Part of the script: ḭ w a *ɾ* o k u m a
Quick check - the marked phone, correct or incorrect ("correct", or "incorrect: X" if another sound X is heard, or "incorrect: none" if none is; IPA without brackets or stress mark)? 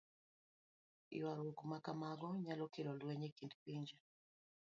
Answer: correct